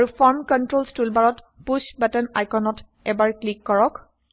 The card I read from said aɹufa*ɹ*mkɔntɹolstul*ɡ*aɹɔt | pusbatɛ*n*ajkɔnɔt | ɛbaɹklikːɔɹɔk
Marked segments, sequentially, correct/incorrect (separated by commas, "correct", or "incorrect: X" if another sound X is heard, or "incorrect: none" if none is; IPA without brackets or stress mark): correct, incorrect: b, correct